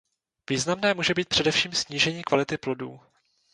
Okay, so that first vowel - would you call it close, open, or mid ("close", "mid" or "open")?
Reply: close